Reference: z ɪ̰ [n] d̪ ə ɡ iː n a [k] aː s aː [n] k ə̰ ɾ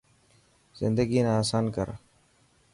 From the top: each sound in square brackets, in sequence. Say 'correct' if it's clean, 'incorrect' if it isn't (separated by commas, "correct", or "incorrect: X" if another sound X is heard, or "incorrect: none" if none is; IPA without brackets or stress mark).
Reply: correct, incorrect: none, correct